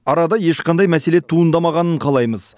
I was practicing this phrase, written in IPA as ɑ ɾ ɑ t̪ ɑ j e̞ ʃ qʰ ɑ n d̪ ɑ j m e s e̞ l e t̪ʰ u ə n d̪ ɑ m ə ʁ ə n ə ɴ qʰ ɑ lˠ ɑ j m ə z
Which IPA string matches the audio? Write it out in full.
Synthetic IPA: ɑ ɾ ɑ d̪ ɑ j e̞ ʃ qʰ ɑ n d̪ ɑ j m æ s e̞ l e t̪ʰ u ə n d̪ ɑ m ɑ ʁ ɑ n ə ɴ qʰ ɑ lˠ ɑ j m ə z